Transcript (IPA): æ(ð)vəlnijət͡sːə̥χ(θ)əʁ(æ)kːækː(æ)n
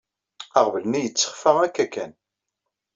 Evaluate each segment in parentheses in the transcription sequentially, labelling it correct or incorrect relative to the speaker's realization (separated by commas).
incorrect, incorrect, correct, correct